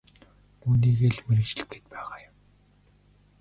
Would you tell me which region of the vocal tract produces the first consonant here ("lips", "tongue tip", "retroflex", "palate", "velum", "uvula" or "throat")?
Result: tongue tip